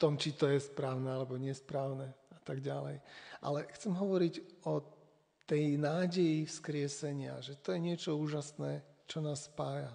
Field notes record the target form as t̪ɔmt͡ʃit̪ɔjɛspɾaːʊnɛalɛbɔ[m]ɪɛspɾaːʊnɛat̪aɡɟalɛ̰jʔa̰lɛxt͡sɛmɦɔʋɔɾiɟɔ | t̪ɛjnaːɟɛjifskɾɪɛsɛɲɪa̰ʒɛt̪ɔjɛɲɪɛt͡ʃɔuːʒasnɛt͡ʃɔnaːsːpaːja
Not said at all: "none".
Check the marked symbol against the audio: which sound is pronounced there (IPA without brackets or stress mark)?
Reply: ɲ